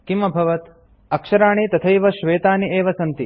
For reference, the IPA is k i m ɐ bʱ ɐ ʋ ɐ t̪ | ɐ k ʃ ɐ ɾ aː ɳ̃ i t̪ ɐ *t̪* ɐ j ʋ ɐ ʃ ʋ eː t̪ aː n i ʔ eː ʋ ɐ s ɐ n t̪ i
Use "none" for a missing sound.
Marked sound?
t̪ʰ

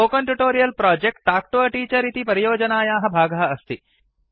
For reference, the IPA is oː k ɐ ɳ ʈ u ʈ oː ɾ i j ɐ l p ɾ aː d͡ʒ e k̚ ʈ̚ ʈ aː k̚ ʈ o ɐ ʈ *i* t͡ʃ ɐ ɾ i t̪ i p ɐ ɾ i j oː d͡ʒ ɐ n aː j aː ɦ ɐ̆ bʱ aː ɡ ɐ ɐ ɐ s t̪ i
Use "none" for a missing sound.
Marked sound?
iː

